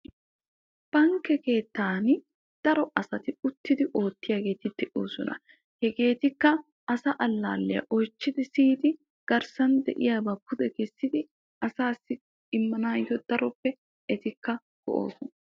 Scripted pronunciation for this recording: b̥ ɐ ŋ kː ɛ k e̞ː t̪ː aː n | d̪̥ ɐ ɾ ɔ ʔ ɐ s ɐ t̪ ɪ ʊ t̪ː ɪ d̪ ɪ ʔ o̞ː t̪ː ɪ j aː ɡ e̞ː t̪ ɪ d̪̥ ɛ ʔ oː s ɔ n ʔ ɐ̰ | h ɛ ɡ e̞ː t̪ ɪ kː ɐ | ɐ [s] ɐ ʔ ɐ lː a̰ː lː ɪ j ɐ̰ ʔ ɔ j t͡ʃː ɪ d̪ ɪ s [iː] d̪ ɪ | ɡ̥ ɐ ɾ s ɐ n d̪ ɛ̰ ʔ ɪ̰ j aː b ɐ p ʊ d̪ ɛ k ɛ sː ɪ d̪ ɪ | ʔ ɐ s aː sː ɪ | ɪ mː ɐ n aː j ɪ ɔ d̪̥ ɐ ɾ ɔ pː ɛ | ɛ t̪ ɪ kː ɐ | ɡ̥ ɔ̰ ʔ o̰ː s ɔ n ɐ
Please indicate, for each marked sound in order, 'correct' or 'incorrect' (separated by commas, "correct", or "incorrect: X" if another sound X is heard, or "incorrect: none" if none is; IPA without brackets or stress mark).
correct, correct